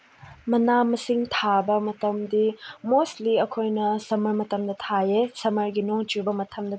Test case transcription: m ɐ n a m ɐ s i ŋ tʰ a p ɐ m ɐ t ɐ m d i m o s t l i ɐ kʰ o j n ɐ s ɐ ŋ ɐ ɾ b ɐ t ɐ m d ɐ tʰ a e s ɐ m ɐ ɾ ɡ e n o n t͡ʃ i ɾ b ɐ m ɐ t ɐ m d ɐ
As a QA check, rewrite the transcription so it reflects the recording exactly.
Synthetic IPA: m ɐ n a m ɐ s i ŋ tʰ a b ɐ m ɐ t ɐ m d i m o s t l i ɐ kʰ o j n ɐ s ɐ m ɐ ɾ m ɐ t ɐ m d ɐ tʰ a e s ɐ m ɐ ɾ ɡ i n o ŋ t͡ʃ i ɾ b ɐ m ɐ tʰ ɐ m d ɐ